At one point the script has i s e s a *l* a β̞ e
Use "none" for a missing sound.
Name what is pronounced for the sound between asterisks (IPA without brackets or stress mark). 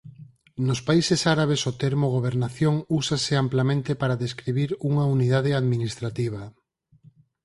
ɾ